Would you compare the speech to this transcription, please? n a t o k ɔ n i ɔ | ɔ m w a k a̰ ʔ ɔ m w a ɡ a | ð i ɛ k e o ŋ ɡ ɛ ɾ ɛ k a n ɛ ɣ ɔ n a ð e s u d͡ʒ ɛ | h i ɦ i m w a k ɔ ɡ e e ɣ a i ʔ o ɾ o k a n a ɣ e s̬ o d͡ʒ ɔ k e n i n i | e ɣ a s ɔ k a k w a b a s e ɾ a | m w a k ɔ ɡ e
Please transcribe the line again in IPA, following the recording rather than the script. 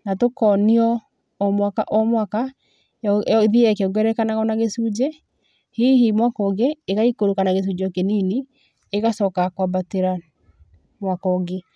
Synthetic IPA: n a t o k ɔ n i ɔ | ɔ m w a k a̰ ʔ ɔ m w a k a | ð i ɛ k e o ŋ ɡ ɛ ɾ ɛ k a n a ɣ ɔ n a ɣ e s u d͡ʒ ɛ | h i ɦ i m w a k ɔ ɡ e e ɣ a i k o ɾ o k a n a ɣ e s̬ u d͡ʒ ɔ k e n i n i | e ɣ a s ɔ k a k w a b a t e ɾ a | m w a k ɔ ɡ e